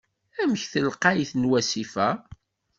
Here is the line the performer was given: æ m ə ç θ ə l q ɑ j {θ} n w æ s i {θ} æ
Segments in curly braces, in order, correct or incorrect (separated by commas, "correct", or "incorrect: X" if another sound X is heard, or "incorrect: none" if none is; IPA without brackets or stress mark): correct, incorrect: f